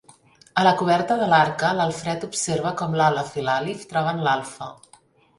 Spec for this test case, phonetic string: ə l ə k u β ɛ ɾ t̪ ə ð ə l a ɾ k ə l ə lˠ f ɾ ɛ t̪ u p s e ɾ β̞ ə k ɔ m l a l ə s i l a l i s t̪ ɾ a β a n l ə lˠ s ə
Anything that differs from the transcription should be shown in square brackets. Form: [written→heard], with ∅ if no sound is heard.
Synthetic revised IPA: ə l ə k u β ɛ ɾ t̪ ə ð ə l a ɾ k ə l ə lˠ f ɾ ɛ t̪ u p s e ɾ β̞ ə k ɔ m l a l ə [s→f] i l a l i [s→f] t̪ ɾ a β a n l [ə→a] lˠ [s→f] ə